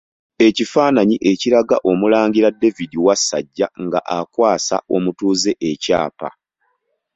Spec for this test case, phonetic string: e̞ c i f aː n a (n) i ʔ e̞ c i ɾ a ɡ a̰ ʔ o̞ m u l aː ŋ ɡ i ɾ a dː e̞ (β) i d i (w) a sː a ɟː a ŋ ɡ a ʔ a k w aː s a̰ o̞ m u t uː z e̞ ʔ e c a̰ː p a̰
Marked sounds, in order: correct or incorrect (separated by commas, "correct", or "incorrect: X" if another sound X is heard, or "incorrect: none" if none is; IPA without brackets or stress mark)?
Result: incorrect: ɲ, incorrect: v, correct